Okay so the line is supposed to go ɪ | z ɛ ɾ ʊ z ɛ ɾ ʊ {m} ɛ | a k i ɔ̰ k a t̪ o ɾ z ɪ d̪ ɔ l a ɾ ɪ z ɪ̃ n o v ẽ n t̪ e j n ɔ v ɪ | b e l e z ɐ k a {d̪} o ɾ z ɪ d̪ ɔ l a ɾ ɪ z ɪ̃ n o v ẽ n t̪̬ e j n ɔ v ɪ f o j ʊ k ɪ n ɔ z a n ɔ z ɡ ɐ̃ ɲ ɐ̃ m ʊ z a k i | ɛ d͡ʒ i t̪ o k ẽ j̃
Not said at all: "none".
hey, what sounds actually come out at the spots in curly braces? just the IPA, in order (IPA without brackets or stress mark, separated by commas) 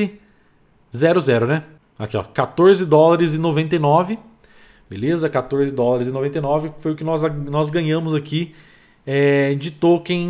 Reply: n, t̪